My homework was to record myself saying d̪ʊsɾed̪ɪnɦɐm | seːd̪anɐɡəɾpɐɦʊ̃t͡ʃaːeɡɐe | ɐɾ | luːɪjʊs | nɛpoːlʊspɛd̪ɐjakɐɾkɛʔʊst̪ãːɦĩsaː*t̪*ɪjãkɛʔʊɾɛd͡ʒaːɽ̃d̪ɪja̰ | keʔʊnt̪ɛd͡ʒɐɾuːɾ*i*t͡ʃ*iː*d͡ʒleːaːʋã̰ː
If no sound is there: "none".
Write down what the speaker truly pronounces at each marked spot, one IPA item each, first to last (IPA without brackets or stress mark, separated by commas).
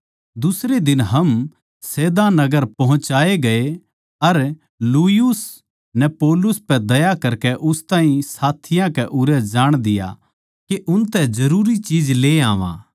t̪ʰ, i, iː